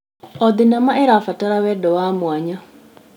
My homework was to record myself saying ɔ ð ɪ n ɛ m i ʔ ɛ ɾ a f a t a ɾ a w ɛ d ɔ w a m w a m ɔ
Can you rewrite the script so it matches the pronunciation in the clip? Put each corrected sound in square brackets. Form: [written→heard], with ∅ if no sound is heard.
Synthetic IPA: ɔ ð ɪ n [ɛ→a] m [i→a] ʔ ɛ ɾ a f a t a ɾ a w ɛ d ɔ w a m w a [m→ɲ] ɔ